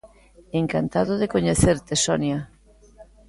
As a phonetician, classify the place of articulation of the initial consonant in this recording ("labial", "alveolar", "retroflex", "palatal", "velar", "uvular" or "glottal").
velar